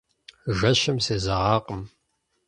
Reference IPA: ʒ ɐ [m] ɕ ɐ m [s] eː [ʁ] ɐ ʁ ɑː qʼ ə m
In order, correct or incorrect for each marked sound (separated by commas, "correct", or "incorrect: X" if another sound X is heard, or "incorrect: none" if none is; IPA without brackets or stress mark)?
incorrect: none, correct, incorrect: z